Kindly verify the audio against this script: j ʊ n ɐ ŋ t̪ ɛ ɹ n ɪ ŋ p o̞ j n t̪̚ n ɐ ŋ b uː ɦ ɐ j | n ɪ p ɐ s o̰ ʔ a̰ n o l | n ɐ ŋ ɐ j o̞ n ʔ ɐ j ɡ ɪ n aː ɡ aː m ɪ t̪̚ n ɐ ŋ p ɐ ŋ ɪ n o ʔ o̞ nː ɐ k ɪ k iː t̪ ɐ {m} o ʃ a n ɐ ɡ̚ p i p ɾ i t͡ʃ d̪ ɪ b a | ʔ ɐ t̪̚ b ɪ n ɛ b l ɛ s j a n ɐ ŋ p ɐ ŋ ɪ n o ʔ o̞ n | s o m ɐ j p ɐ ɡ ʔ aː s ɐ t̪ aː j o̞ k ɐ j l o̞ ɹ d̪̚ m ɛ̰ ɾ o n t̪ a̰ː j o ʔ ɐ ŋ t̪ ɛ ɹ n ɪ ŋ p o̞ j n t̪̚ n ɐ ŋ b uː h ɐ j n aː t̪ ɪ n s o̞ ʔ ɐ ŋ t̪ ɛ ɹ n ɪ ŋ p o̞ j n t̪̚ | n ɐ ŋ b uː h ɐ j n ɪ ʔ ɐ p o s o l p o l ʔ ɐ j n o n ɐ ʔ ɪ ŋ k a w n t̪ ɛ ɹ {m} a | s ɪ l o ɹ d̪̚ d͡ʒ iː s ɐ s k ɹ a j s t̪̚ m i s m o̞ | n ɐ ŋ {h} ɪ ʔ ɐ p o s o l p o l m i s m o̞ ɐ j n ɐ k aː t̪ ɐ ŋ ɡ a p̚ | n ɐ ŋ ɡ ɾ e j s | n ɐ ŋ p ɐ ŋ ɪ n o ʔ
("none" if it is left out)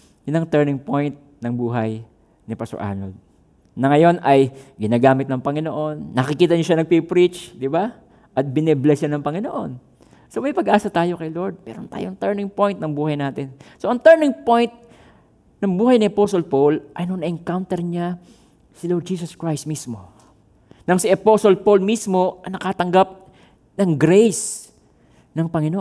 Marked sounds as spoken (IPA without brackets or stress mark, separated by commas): ɲ, ɲ, s